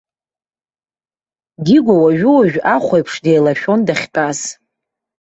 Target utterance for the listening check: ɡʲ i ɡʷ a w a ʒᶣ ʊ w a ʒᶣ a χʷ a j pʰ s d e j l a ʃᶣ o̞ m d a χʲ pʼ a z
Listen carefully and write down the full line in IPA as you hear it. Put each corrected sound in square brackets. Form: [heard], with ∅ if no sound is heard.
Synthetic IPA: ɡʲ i ɡʷ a w a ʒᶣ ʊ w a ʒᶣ a χʷ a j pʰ [ʂ] d e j l a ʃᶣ o̞ [n] d a χʲ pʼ a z